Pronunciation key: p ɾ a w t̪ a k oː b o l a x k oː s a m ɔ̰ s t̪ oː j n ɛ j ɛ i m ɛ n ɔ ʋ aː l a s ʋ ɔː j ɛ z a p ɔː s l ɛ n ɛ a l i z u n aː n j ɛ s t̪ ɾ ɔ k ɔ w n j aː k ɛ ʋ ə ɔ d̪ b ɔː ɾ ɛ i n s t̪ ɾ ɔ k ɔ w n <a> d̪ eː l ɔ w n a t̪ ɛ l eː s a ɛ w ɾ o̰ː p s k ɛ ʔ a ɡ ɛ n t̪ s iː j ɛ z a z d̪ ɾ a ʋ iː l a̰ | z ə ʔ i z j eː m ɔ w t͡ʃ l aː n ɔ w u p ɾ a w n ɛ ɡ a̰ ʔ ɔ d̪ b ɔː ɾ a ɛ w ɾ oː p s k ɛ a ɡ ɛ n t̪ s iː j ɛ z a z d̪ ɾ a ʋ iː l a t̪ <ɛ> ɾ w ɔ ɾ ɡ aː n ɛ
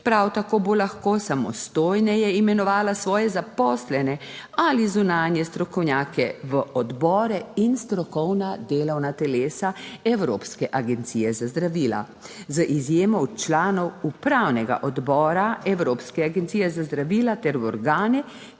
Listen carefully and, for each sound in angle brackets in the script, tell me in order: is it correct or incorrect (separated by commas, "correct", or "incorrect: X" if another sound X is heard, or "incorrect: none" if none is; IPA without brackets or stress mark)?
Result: correct, correct